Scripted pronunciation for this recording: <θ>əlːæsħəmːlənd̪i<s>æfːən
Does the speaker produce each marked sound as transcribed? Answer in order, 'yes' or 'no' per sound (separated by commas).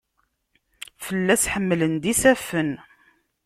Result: no, yes